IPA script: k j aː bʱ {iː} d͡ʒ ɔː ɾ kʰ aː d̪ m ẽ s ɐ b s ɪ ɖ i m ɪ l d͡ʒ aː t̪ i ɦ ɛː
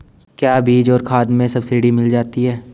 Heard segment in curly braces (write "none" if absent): iː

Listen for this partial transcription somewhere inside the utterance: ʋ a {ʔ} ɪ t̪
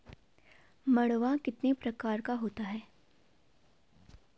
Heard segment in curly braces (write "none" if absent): k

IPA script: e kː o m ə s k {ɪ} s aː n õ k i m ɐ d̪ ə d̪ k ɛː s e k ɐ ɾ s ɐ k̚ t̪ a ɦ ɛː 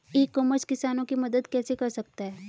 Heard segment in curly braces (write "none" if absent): ɪ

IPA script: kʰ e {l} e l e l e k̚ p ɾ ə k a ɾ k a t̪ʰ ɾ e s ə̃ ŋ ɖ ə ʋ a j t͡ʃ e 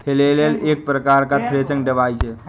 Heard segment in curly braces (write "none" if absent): l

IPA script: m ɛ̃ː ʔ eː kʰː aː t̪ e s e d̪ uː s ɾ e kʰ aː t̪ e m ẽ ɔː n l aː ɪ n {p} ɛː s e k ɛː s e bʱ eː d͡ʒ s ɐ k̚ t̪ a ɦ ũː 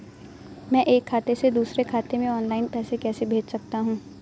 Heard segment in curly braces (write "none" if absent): p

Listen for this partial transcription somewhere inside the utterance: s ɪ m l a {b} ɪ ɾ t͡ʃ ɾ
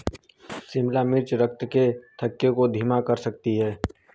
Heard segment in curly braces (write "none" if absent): m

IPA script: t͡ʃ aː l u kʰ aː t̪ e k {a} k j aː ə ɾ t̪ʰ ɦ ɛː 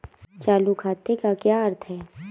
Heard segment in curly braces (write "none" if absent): a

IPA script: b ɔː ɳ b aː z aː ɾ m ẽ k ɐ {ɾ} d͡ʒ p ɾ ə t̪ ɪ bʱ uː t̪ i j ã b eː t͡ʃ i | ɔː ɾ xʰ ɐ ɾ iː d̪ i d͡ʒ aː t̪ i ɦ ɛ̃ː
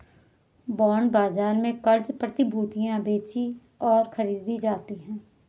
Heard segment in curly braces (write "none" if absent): ɾ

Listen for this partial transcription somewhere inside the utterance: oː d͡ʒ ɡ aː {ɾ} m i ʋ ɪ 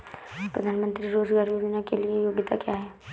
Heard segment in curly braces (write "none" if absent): ɾ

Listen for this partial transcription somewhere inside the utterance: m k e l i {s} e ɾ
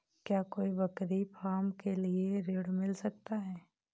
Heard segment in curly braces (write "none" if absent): none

